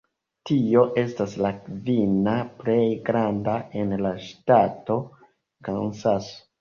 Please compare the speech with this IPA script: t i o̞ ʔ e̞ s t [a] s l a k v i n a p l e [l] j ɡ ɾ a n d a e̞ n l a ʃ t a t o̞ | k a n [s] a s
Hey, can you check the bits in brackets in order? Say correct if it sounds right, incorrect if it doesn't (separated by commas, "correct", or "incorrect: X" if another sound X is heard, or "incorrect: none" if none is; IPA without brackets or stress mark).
correct, incorrect: none, correct